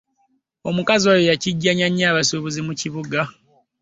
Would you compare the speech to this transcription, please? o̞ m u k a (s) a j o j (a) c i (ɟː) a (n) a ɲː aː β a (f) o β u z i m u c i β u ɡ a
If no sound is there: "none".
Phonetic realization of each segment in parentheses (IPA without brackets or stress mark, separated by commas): z, a, ɟː, ɲ, s